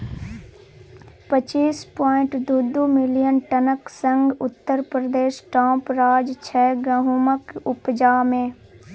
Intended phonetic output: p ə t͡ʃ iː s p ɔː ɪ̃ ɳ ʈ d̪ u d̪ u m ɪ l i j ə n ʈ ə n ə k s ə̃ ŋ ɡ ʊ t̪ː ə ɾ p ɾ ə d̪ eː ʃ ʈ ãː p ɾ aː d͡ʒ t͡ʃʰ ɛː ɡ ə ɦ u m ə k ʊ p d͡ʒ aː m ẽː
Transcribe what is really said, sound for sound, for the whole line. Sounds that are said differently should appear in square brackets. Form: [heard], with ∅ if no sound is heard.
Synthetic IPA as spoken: p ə t͡ʃ iː s p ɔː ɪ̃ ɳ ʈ d̪ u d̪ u m ɪ l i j ə n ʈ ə n ə k s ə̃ ŋ ɡ ʊ t̪ː ə ɾ p ɾ ə d̪ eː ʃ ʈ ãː p ɾ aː d͡ʒ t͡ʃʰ ɛː ɡ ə ɦ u m ə k ʊ p d͡ʒ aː m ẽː